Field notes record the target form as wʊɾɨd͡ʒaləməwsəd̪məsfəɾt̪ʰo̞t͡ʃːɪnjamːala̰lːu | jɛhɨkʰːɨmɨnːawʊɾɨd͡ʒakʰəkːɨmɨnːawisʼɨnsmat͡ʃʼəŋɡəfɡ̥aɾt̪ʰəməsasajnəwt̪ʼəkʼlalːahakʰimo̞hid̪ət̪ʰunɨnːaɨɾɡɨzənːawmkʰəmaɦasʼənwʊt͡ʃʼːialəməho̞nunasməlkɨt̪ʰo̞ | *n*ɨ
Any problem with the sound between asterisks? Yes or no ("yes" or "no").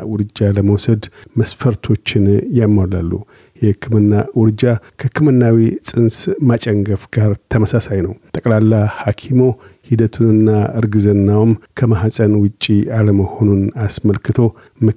yes